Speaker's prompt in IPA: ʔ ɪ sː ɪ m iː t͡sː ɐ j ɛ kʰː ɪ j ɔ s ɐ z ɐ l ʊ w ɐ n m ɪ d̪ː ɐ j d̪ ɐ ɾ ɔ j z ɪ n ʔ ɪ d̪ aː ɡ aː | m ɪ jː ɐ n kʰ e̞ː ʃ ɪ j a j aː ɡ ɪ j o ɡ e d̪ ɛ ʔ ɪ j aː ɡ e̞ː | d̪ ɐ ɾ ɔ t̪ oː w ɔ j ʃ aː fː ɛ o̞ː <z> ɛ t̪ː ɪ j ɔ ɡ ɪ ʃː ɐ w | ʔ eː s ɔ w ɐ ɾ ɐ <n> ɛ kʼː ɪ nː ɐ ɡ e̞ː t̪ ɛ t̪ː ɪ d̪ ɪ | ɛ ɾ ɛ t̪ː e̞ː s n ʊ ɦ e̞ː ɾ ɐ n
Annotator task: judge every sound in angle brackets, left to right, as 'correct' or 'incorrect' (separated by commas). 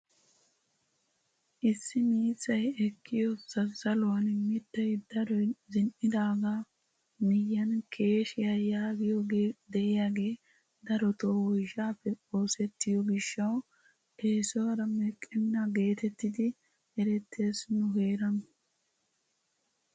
incorrect, incorrect